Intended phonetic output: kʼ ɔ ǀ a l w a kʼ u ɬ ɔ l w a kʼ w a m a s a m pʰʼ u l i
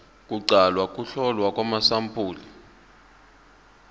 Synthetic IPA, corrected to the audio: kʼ u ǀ a l w a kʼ u ɬ ɔ l w a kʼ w a m a s a m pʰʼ uː l i